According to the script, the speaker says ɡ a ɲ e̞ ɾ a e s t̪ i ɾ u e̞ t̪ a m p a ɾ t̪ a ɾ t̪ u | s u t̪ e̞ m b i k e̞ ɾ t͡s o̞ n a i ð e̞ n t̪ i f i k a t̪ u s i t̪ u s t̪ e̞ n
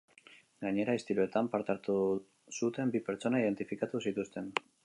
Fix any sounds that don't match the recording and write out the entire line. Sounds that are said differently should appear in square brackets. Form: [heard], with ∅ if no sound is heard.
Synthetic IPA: ɡ a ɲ e̞ ɾ a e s t̪ i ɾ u e̞ t̪ a m p a ɾ t̪ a ɾ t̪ u | s u t̪ e̞ m b i [p] e̞ ɾ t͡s o̞ n a i ð e̞ n t̪ i f i k a t̪ u s i t̪ u s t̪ e̞ n